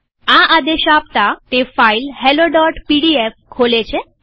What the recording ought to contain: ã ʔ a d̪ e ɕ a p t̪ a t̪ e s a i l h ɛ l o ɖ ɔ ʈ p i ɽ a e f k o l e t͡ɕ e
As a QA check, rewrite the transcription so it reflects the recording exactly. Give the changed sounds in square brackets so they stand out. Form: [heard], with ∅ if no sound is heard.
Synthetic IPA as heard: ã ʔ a d̪ e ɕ a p t̪ a t̪ e [f] a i l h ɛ l o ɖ ɔ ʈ p i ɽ [i] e f [kʰ] o l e t͡ɕ e